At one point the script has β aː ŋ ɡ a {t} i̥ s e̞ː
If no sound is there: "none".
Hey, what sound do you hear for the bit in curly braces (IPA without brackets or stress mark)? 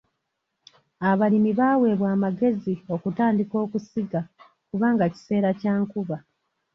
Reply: c